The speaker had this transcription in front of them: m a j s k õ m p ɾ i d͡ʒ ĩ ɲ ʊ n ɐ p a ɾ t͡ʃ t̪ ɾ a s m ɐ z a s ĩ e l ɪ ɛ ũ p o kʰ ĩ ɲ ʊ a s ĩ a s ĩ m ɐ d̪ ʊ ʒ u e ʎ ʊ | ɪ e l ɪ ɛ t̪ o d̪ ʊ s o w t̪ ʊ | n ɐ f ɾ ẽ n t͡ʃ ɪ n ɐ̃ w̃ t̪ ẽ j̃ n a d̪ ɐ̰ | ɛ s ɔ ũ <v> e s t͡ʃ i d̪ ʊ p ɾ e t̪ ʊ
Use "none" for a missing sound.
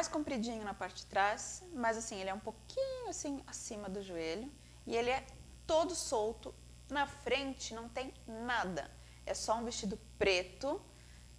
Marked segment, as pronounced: v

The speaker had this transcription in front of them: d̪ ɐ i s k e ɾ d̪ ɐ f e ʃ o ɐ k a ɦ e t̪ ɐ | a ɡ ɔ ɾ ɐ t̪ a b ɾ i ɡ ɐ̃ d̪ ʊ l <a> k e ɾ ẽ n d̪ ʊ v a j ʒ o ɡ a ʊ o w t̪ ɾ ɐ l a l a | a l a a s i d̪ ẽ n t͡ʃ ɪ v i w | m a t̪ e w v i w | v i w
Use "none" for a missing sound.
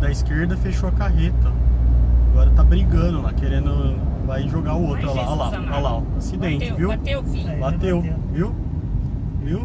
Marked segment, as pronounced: a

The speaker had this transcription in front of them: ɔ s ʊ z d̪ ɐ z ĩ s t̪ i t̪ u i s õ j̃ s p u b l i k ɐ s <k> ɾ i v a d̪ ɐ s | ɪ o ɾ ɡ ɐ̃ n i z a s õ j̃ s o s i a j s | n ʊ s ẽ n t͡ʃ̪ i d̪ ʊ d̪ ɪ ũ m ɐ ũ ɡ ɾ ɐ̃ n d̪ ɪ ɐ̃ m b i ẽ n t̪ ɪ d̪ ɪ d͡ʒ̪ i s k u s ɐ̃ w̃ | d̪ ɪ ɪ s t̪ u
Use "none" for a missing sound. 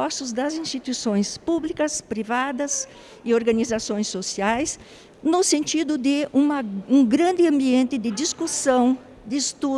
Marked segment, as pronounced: p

